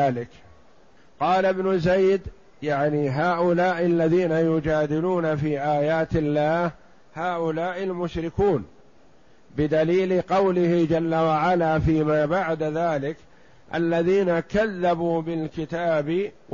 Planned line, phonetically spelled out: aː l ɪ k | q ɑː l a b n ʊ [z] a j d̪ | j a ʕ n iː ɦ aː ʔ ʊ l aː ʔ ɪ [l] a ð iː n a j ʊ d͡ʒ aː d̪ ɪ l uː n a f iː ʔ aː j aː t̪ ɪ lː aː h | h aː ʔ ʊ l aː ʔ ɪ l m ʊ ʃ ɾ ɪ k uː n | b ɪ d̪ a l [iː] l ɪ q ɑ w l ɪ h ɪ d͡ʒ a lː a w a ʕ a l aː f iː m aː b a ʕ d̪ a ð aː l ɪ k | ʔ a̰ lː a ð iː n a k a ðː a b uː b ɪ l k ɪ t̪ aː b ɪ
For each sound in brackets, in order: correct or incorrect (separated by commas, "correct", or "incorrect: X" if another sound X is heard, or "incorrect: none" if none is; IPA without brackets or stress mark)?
correct, incorrect: lː, correct